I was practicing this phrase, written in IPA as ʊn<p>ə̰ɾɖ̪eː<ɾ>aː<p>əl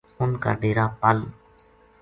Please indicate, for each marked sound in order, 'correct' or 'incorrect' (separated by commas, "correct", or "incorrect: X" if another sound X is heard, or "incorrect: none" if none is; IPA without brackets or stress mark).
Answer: incorrect: k, correct, correct